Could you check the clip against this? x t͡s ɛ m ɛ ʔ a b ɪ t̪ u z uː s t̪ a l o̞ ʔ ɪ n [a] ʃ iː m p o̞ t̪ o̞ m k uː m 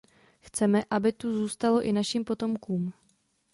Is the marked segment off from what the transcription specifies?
no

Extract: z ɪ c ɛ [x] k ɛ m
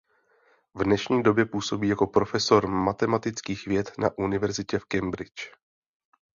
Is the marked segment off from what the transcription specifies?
yes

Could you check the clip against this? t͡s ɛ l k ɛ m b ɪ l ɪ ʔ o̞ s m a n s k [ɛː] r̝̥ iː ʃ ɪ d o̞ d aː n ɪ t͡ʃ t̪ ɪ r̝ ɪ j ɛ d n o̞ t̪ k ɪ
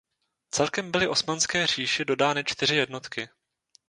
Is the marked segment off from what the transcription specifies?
no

